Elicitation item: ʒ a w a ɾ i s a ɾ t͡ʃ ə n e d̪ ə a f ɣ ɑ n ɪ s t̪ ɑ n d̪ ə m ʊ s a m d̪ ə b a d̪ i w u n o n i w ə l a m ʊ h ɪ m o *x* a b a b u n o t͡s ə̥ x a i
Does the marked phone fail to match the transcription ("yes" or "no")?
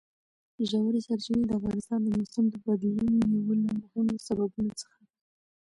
yes